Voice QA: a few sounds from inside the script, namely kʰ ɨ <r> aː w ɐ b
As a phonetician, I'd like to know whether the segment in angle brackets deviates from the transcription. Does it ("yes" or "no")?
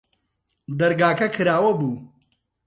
yes